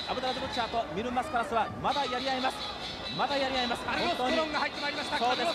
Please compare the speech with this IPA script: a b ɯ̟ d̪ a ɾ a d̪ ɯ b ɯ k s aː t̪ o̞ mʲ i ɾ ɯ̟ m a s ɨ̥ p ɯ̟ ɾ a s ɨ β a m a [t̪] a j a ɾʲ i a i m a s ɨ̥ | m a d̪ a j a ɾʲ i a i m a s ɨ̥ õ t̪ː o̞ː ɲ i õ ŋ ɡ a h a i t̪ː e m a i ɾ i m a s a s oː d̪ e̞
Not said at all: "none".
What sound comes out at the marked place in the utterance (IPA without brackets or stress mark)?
d̪